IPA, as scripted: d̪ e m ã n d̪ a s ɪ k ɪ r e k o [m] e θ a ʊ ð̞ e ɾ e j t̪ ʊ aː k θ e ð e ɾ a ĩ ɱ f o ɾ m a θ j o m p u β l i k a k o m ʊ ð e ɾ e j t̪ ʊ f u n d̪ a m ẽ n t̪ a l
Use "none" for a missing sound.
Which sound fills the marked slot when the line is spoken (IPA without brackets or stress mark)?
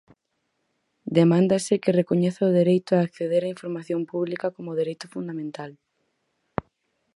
ɲ